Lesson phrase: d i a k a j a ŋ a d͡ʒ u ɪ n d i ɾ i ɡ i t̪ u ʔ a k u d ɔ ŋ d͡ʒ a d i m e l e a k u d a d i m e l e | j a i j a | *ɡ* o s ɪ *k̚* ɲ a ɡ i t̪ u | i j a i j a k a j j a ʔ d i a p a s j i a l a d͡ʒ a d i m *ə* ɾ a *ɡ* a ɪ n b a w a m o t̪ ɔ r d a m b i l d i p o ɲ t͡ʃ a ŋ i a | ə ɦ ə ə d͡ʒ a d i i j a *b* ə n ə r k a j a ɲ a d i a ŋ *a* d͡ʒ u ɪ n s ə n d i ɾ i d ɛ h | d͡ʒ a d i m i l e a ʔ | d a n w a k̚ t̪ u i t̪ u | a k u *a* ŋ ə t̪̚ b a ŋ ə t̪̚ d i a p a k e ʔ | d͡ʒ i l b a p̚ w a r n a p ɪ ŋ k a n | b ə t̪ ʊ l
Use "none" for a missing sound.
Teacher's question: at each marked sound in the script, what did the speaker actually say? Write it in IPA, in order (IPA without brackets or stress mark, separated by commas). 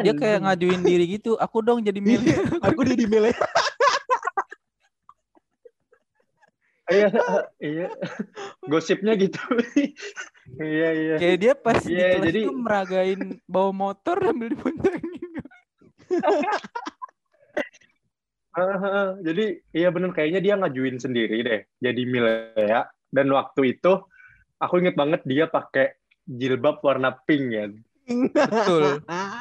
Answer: ɡ, p̚, ə, ɡ, b, a, i